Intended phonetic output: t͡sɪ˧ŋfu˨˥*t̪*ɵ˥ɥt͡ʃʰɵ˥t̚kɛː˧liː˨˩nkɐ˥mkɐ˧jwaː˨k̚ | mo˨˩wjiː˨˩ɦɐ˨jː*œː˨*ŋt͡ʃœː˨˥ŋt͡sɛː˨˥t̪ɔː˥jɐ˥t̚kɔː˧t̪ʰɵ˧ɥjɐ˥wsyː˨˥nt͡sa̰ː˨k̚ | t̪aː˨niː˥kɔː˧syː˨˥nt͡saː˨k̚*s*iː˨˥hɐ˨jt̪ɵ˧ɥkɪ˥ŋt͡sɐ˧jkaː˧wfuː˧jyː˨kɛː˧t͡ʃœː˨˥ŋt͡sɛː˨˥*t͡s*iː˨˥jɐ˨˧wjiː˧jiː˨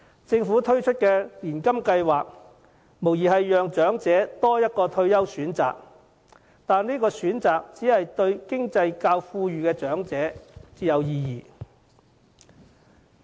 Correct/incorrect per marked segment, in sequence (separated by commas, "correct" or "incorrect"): incorrect, correct, incorrect, correct